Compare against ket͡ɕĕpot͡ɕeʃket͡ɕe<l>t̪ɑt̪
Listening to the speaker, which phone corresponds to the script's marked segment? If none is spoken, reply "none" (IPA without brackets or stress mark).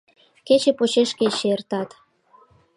r